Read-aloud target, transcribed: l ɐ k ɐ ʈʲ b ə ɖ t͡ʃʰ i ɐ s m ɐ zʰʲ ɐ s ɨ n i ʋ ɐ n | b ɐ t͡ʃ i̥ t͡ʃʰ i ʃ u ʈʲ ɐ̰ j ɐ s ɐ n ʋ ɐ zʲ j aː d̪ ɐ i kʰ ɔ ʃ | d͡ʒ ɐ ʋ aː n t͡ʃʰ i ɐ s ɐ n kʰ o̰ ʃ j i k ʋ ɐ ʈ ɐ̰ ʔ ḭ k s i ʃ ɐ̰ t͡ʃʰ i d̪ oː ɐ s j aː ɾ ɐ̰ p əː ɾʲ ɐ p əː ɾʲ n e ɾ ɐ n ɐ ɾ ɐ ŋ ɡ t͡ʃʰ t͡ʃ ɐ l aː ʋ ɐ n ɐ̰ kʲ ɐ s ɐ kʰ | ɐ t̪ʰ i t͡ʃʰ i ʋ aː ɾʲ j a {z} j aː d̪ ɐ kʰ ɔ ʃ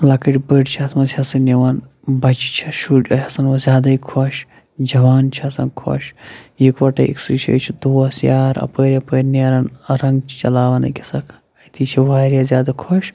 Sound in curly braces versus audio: correct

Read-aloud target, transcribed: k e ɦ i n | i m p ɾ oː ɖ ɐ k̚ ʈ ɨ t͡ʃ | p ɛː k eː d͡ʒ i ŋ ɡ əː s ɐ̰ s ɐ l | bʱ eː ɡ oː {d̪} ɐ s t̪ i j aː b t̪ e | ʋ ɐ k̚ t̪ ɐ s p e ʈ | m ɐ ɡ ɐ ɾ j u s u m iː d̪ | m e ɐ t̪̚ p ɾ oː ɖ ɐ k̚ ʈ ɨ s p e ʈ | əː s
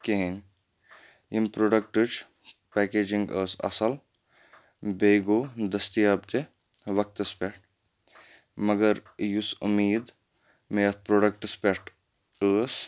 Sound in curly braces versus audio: correct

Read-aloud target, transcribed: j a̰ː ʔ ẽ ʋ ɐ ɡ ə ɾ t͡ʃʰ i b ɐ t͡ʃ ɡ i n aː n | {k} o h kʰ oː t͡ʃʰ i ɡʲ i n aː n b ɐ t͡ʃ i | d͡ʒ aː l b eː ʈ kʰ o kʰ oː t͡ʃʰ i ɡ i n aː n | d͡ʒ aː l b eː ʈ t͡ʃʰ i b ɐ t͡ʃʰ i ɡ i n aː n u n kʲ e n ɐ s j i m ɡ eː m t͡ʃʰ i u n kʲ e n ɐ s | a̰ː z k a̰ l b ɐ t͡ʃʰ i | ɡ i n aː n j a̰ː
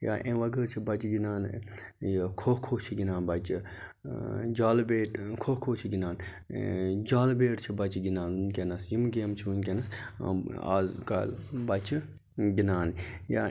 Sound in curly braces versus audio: incorrect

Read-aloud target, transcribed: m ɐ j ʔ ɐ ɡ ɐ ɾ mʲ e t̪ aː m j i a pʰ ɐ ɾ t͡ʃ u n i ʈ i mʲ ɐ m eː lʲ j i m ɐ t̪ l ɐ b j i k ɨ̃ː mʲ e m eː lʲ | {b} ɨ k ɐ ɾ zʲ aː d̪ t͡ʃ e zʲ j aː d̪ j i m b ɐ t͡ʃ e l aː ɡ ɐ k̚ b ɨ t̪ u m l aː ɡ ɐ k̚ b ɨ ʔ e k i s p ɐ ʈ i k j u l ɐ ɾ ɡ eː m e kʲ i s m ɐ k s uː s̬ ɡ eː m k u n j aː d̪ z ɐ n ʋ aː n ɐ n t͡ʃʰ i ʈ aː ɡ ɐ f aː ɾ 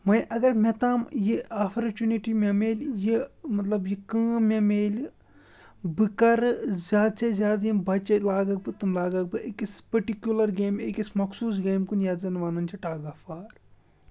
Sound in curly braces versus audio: correct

